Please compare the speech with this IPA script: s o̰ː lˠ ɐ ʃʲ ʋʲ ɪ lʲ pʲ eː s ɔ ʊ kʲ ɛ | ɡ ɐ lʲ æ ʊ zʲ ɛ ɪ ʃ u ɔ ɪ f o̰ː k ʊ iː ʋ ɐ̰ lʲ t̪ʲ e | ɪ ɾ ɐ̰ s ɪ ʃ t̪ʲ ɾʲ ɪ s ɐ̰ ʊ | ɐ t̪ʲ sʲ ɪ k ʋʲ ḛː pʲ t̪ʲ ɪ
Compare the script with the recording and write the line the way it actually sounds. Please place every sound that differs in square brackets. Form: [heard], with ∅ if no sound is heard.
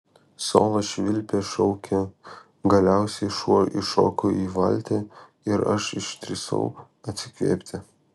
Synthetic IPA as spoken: s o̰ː lˠ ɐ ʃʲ ʋʲ ɪ lʲ pʲ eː [ʃ] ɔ ʊ kʲ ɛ | ɡ ɐ lʲ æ ʊ [sʲ] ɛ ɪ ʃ u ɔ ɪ [ʃ] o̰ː k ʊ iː ʋ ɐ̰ lʲ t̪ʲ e | ɪ ɾ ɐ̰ [ʃ] ɪ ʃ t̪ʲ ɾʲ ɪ s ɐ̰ ʊ | ɐ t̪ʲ sʲ ɪ k ʋʲ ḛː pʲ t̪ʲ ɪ